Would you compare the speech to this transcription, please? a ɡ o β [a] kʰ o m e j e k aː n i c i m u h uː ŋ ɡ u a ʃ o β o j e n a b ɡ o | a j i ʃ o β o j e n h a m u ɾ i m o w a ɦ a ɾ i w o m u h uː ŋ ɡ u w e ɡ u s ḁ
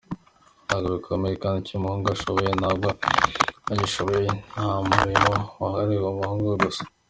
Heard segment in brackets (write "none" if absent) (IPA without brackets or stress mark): i